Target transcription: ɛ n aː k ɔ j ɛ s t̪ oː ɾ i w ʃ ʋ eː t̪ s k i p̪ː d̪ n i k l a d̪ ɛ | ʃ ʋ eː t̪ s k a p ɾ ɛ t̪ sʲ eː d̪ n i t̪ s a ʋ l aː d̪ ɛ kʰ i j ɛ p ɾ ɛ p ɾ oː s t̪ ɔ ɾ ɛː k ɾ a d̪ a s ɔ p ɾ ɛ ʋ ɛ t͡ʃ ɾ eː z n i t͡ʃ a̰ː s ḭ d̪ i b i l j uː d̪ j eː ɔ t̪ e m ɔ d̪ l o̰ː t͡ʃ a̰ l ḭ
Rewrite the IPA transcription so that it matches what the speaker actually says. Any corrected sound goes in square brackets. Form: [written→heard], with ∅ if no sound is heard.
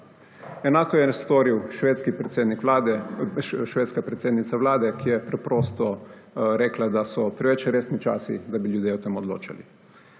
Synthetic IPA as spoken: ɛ n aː k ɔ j ɛ s t̪ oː ɾ i w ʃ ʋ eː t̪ s k i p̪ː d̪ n i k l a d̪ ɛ | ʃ ʋ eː t̪ s k a p ɾ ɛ t̪ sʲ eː d̪ n i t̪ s a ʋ l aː d̪ ɛ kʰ i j ɛ p ɾ ɛ p ɾ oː s t̪ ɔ ɾ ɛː k [ɾ→l] a d̪ a s ɔ p ɾ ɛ ʋ ɛ t͡ʃ ɾ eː [z→s] n i t͡ʃ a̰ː s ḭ d̪ [i→a] b i l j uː d̪ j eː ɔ t̪ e m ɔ d̪ l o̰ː t͡ʃ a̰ l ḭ